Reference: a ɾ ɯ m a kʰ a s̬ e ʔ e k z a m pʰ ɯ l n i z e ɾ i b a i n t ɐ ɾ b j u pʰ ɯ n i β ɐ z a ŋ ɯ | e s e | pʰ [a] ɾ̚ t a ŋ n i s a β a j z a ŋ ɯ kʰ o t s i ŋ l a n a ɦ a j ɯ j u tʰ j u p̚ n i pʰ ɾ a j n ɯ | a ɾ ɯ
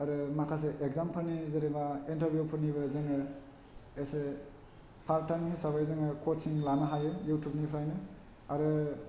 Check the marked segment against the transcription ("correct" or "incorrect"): correct